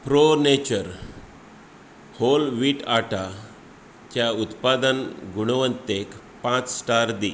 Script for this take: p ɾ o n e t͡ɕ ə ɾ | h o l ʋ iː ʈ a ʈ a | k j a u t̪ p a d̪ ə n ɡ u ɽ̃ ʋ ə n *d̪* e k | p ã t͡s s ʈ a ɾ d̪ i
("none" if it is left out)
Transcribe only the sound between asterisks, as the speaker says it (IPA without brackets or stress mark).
t̪